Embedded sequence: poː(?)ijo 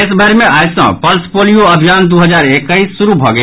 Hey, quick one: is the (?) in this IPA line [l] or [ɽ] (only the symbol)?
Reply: l